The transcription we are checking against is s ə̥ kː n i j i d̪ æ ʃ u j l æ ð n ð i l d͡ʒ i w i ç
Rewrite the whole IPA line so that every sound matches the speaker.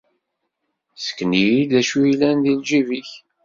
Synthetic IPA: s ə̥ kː n i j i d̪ æ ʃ u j l æ n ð i l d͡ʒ i v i ç